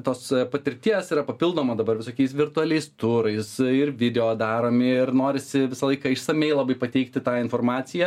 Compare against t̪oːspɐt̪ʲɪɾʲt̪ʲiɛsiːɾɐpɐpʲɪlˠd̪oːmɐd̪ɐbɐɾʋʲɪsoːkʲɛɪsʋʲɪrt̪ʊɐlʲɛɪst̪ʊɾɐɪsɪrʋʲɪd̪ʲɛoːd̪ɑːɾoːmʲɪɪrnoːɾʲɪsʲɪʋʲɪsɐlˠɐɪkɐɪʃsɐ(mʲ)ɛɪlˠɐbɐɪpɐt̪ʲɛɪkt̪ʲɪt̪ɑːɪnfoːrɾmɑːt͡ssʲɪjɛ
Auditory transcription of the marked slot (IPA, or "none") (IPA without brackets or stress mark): mʲ